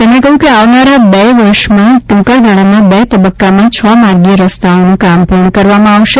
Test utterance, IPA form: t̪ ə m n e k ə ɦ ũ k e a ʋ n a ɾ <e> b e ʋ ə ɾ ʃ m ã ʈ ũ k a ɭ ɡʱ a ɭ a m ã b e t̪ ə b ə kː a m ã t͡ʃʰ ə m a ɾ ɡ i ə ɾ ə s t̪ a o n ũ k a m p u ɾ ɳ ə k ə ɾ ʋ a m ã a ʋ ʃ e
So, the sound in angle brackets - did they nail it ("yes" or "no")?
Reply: no